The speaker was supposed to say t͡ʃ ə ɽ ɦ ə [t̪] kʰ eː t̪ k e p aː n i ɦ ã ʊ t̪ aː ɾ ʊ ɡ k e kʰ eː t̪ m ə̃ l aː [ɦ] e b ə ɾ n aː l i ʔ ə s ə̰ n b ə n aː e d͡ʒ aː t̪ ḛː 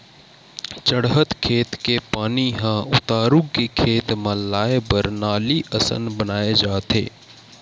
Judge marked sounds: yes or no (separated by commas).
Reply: yes, no